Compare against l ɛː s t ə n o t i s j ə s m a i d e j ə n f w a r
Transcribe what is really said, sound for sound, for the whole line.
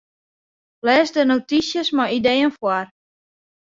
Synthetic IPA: l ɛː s d ə n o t i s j ə s m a i d e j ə n f w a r